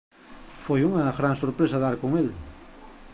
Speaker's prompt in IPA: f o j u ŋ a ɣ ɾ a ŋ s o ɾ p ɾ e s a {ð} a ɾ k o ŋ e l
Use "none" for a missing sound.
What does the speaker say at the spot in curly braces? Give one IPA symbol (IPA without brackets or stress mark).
ð